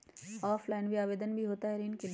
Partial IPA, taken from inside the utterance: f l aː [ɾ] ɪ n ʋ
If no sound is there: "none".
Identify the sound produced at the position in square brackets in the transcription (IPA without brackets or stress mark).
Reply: none